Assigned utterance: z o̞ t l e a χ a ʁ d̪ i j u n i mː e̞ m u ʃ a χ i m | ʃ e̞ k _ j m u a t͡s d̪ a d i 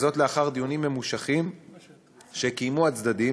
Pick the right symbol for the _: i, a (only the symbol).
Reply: i